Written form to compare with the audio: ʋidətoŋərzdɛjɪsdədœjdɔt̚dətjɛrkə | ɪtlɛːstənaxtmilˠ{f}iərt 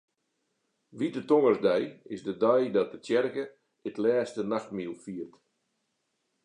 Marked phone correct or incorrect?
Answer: correct